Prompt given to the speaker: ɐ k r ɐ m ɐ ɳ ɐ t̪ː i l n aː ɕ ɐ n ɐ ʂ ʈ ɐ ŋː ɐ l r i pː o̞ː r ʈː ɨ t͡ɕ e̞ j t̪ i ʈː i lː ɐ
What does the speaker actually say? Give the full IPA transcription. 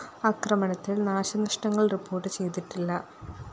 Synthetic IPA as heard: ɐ k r ɐ m ɐ ɳ ɐ t̪ː i l n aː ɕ ɐ n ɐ ʂ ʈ ɐ ŋː ɐ ɭ r i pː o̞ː r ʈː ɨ t͡ɕ e̞ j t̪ i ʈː i lː ɐ